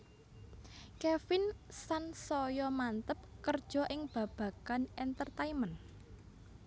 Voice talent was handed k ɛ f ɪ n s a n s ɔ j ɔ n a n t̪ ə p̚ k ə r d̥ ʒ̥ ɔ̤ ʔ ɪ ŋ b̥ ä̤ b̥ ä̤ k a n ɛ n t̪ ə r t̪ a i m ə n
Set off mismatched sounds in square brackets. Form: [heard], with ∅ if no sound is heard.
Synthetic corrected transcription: k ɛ f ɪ n s a n s ɔ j ɔ [m] a n t̪ ə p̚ k ə r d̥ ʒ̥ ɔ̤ ʔ ɪ ŋ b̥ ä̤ b̥ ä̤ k a n ɛ n t̪ ə r t̪ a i m ə n